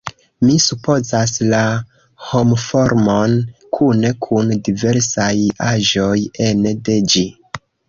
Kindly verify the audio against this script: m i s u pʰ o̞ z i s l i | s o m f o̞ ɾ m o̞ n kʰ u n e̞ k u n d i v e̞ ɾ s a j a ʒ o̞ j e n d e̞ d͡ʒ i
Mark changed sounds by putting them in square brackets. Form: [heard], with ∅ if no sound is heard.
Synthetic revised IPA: m i s u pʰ o̞ z [a] s l [a] | [h] o m f o̞ ɾ m o̞ n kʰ u n e̞ [kʰ] u n d i v e̞ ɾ s a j a ʒ o̞ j e n d e̞ d͡ʒ i